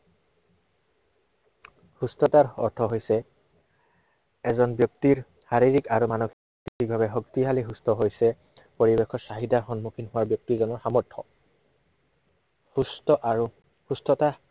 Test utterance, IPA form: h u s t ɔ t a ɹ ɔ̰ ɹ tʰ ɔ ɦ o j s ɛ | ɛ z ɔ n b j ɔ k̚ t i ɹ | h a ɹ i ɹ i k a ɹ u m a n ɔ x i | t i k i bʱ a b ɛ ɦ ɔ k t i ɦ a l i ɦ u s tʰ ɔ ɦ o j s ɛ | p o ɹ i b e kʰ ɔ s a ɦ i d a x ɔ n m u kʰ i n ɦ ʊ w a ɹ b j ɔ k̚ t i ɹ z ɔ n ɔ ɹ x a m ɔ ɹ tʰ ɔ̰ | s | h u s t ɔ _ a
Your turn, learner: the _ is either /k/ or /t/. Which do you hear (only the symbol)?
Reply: t